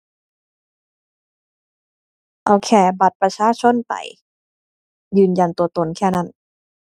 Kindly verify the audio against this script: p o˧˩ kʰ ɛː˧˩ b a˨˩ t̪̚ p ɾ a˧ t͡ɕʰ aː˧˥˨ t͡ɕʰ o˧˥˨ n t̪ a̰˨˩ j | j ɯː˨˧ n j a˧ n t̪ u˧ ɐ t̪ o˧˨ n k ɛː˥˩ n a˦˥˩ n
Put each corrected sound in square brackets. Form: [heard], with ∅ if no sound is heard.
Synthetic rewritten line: [ʔ] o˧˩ kʰ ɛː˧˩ b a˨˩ t̪̚ p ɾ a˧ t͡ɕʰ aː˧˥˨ t͡ɕʰ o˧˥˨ n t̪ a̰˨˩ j | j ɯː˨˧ n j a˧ n t̪ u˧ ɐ t̪ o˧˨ n [kʰ] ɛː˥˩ n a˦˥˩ n

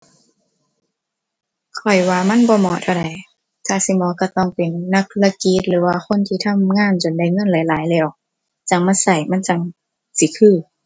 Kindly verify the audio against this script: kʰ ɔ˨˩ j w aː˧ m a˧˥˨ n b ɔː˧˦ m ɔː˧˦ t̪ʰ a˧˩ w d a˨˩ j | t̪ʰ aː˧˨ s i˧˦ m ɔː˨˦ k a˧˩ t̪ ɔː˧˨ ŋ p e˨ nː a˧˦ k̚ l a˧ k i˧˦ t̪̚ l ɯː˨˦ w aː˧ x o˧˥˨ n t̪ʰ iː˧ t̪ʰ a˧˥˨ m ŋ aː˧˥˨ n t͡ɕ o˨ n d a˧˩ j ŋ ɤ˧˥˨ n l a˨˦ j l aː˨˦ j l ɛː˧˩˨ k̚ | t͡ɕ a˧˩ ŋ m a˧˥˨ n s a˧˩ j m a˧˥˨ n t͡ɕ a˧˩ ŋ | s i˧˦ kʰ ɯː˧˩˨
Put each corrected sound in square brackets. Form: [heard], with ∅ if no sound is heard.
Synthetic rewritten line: kʰ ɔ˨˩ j w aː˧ m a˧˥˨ n b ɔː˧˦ m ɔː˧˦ t̪ʰ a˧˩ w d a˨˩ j | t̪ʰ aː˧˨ s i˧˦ m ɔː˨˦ k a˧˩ t̪ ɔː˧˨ ŋ p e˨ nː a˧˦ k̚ l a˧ k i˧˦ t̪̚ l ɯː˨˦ w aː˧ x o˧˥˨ n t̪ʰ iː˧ t̪ʰ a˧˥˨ m ŋ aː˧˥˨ n t͡ɕ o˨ n d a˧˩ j ŋ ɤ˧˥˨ n l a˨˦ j l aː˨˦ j l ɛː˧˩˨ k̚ | t͡ɕ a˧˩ ŋ m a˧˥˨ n s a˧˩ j m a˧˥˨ n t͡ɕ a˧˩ ŋ | s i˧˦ kʰ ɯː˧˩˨

